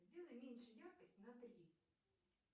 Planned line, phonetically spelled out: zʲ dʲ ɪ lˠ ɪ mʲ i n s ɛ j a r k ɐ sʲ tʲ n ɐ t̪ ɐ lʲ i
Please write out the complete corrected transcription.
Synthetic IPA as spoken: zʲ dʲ i lˠ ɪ mʲ i n ʃ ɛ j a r k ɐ sʲ tʲ n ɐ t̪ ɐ lʲ i